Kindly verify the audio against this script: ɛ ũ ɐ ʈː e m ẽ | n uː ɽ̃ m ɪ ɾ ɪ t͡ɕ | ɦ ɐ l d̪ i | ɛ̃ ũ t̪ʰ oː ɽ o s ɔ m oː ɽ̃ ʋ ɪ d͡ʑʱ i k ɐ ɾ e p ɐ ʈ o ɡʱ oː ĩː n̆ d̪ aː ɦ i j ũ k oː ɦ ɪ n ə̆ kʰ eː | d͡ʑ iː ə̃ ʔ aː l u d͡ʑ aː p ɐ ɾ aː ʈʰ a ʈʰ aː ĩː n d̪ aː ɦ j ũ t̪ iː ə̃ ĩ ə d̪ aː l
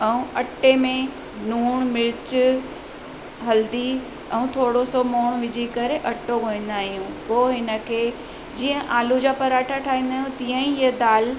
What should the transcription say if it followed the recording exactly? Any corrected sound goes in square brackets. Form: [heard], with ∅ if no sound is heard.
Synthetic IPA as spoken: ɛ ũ ɐ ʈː e m ẽ | n uː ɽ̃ m ɪ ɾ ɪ t͡ɕ | ɦ ɐ l d̪ i | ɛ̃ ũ t̪ʰ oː ɽ o s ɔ m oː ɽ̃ ʋ ɪ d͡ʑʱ i k ɐ ɾ e [ʔ] ɐ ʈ o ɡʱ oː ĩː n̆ d̪ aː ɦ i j ũ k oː ɦ ɪ n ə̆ kʰ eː | d͡ʑ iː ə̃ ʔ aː l u d͡ʑ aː p ɐ ɾ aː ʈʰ a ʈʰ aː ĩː n d̪ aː ɦ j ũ t̪ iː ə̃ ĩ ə d̪ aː l